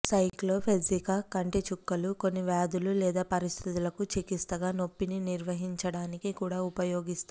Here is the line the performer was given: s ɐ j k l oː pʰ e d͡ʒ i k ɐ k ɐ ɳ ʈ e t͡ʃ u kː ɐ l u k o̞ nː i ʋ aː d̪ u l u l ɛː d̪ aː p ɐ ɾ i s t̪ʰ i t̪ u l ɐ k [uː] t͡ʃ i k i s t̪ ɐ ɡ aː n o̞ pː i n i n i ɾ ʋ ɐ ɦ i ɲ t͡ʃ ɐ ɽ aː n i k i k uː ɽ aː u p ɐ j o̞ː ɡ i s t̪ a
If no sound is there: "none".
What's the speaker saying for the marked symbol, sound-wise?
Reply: u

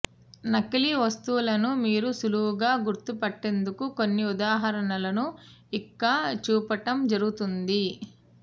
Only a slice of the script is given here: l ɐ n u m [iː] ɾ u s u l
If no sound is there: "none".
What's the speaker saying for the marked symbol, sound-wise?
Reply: iː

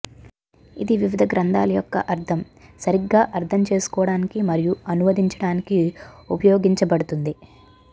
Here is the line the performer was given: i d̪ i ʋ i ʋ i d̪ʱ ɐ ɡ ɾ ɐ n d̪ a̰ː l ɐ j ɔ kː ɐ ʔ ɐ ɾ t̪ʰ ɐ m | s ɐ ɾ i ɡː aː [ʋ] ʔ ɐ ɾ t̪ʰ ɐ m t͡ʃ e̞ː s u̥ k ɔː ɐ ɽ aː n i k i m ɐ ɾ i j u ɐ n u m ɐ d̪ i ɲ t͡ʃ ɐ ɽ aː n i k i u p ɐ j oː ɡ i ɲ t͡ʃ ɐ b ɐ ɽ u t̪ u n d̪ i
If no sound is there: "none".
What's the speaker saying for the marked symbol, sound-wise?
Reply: none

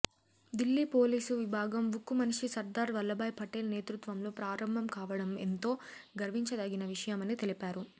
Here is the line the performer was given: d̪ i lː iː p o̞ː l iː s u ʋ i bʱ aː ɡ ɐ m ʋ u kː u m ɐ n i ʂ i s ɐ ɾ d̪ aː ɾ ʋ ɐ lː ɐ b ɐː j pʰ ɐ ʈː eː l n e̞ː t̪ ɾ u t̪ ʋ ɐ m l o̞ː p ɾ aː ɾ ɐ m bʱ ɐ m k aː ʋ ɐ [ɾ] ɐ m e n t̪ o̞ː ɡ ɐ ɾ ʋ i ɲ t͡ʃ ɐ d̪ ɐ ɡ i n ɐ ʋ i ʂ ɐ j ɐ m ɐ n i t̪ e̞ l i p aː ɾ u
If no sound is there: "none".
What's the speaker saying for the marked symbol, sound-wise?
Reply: ɽ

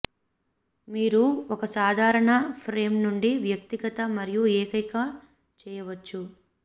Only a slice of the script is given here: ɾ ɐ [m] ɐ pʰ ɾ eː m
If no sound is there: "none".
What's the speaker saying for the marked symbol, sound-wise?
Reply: ɳ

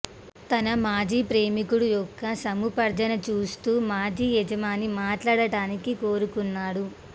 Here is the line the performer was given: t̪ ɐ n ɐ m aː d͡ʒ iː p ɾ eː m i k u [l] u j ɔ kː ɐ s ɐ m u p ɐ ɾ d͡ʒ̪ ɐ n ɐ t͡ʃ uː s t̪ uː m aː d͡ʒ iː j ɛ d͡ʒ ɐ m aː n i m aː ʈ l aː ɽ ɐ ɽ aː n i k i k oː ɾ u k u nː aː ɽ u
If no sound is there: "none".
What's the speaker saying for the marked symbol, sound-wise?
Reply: ɽ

